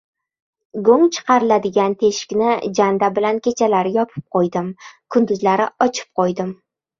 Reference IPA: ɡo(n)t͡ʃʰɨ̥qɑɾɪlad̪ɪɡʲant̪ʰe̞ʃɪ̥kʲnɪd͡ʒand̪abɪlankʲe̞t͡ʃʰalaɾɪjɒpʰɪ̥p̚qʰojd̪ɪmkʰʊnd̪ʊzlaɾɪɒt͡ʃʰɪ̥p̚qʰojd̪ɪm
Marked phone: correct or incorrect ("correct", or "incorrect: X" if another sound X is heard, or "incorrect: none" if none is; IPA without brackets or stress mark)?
incorrect: ŋ